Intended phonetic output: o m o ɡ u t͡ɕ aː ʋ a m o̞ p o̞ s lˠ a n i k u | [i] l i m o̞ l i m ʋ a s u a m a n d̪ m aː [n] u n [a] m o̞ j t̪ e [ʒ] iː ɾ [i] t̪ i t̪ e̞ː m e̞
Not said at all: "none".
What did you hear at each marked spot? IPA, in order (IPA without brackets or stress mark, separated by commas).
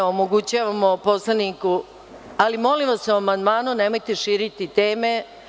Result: a, n, e, ʃ, i